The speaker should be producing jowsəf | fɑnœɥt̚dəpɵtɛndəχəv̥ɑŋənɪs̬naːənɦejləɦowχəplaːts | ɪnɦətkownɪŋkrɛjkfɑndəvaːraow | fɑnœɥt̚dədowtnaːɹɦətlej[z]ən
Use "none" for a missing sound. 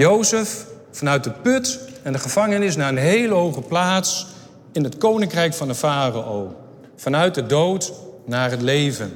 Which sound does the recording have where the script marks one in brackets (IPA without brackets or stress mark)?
v